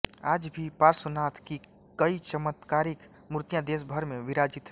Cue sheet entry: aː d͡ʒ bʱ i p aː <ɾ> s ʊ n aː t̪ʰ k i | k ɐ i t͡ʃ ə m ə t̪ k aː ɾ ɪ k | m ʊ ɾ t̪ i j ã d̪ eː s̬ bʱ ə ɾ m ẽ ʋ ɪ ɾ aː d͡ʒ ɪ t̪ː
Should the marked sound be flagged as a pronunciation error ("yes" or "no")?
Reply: no